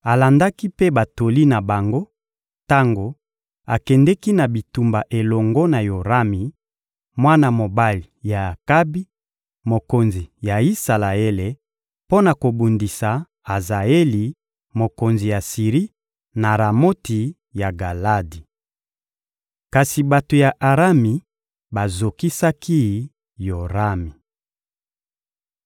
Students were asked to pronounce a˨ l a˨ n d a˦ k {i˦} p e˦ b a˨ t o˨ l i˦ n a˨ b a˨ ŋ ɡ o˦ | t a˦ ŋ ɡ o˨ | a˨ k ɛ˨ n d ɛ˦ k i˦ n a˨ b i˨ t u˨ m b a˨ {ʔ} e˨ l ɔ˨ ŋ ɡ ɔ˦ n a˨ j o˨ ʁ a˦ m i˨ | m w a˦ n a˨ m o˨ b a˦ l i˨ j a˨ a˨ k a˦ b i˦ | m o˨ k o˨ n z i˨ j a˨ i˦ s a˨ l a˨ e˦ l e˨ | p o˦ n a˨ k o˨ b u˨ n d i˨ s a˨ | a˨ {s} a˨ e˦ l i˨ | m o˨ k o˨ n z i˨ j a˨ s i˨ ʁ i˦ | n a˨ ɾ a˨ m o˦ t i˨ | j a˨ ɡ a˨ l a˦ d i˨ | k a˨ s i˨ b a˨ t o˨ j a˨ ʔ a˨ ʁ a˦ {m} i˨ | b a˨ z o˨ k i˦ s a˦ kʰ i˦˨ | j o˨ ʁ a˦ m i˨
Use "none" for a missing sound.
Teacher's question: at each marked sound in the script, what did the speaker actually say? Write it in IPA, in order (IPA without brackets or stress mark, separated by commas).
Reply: i˦, ʔ, z, m